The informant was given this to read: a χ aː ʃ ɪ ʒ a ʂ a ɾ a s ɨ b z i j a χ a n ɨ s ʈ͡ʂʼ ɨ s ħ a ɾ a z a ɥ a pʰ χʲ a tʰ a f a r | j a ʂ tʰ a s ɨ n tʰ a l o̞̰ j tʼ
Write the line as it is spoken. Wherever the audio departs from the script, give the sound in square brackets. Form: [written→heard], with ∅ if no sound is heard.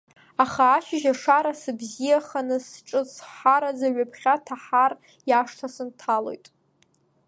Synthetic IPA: a χ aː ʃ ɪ ʒ a ʂ a ɾ a s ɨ b z i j a χ a n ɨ s ʈ͡ʂʼ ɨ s ħ a ɾ a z a ɥ a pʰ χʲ a tʰ a [f→ħ] a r | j a ʂ tʰ a s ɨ n tʰ a l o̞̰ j tʼ